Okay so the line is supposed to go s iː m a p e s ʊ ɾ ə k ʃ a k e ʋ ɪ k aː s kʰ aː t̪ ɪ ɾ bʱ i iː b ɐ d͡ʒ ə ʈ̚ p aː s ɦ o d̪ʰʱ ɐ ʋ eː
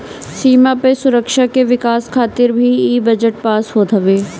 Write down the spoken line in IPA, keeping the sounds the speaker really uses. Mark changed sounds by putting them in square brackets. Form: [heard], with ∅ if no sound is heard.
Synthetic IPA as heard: s iː m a p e s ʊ ɾ ə k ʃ a k e ʋ ɪ k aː s kʰ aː t̪ ɪ ɾ bʱ i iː b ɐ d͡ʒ ə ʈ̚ p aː s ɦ o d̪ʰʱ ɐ ʋ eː